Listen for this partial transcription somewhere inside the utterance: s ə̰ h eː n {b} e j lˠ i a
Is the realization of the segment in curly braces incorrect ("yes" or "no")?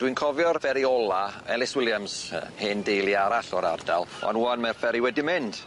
yes